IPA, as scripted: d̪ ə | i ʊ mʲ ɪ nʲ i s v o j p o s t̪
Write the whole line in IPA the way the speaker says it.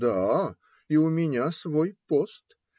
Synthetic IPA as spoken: d̪ a | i ʊ mʲ ɪ nʲ a s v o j p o s t̪